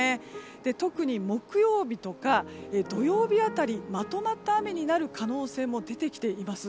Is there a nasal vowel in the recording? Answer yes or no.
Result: no